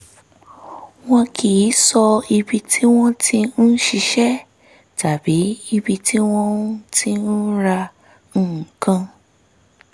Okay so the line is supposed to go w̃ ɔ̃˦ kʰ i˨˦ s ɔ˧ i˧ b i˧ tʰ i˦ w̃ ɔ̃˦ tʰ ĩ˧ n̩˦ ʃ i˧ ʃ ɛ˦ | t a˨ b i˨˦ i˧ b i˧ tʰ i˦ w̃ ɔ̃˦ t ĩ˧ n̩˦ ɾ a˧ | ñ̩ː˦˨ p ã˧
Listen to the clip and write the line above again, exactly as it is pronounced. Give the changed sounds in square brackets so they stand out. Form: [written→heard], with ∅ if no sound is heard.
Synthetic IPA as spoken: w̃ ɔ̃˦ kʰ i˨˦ s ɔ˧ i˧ b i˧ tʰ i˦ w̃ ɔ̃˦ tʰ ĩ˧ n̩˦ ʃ i˧ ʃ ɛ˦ | t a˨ b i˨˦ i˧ b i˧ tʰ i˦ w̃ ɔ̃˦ t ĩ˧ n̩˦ ɾ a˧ | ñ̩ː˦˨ [p→k] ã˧